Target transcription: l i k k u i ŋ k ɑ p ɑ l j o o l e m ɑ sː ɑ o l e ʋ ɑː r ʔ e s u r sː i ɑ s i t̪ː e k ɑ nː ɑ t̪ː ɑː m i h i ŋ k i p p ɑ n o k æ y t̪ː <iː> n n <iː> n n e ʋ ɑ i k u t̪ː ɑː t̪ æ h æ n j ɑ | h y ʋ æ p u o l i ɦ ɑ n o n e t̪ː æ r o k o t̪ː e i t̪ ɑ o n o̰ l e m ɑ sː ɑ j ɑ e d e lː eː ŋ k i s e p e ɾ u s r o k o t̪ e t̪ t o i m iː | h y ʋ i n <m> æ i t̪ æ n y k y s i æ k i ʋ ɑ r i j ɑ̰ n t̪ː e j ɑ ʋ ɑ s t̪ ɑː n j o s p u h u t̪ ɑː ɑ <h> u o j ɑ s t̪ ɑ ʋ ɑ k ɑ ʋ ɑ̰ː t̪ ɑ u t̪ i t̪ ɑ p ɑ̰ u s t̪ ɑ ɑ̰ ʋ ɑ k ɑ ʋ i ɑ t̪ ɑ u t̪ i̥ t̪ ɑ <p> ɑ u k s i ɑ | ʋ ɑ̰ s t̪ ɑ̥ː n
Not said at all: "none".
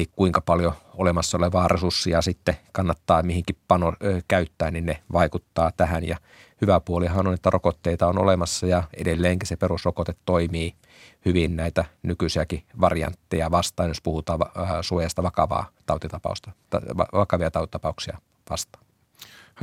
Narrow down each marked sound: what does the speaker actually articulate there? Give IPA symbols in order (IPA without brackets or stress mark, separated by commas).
æː, i, n, s, p